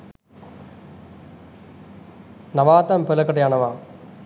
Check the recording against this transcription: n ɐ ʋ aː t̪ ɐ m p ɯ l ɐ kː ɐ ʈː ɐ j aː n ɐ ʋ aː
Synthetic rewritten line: n ɐ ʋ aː t̪ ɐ m p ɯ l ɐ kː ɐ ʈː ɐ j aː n ɐ ʋ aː